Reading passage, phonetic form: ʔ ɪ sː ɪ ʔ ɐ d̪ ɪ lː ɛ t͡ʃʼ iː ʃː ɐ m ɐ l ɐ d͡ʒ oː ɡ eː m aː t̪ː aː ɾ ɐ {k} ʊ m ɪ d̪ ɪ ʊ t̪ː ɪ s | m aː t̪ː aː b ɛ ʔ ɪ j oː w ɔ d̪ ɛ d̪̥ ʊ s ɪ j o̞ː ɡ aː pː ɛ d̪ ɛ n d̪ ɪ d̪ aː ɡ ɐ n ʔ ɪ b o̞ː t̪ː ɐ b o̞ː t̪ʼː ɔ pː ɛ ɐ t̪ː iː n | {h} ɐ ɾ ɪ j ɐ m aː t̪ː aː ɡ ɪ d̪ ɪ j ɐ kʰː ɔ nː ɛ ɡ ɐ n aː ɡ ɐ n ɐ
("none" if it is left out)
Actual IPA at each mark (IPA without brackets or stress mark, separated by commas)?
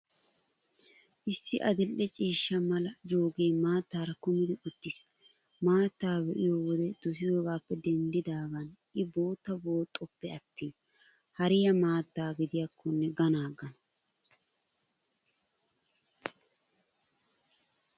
k, h